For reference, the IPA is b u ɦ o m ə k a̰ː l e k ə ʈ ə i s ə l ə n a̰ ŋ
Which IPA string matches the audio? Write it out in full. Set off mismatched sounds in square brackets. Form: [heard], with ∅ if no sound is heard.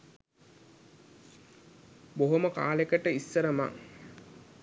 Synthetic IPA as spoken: b [o] ɦ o m ə k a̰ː l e k ə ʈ ə i [sː] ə [ɾ] ə [m] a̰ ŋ